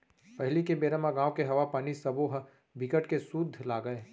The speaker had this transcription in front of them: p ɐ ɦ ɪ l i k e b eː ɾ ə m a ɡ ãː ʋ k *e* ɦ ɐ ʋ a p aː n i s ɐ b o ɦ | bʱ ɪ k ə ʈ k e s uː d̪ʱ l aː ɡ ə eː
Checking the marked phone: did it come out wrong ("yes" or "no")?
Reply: no